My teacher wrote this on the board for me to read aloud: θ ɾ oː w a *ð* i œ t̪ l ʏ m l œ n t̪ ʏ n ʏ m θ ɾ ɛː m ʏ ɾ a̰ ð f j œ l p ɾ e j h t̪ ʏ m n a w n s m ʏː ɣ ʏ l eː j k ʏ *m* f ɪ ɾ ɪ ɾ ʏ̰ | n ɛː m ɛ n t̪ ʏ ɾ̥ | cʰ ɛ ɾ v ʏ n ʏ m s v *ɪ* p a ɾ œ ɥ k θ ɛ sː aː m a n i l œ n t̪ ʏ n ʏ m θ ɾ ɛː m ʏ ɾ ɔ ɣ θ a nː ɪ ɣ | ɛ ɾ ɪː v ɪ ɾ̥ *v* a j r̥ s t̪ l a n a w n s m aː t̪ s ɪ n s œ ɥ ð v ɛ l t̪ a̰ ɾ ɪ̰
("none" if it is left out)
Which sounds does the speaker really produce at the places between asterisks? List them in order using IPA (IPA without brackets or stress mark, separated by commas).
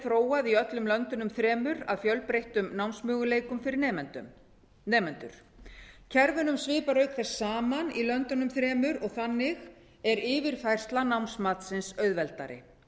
ð, m, ɪː, f